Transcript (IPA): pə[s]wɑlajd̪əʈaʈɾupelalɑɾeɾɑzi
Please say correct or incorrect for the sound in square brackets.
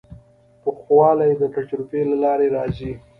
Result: incorrect: x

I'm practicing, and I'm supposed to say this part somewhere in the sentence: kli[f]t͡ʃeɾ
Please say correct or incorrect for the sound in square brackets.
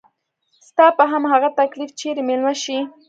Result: correct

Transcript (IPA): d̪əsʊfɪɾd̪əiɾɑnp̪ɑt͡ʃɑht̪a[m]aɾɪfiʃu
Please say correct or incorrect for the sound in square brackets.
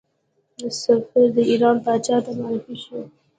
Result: correct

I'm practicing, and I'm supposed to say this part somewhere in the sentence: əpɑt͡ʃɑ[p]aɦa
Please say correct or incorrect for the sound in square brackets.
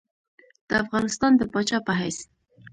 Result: correct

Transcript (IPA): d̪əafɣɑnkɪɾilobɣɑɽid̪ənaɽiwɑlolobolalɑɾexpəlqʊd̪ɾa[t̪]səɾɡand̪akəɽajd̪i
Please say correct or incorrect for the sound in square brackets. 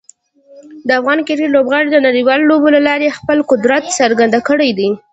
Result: correct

